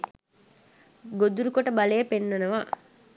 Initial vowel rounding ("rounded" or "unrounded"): rounded